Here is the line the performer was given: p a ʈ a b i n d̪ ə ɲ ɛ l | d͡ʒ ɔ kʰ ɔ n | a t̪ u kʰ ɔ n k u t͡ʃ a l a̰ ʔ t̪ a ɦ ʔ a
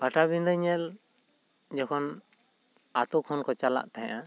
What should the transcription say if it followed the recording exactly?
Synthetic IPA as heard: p a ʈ a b i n d̪ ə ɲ ɛ l | d͡ʒ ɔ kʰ ɔ n | a t̪ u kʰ ɔ n k ɔ t͡ʃ a l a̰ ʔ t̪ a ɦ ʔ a